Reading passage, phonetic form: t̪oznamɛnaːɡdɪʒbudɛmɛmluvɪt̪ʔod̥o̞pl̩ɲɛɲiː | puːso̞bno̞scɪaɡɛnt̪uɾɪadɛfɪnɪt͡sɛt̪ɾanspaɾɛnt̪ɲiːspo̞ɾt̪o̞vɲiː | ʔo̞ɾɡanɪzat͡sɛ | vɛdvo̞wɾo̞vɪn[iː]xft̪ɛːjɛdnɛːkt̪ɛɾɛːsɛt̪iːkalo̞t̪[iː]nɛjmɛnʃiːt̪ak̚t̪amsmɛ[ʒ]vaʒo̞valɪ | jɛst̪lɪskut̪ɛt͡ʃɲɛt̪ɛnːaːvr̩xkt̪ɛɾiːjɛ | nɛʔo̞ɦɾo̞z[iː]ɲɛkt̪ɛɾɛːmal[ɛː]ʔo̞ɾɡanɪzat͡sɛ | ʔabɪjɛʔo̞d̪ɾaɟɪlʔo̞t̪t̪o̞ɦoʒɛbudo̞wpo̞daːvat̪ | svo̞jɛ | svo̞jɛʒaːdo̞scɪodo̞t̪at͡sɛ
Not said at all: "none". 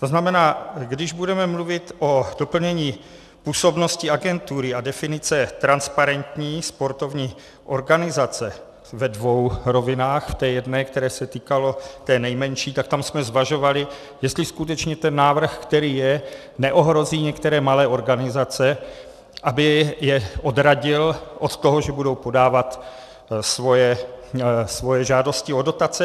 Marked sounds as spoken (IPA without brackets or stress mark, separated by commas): aː, ɛː, z, iː, ɛː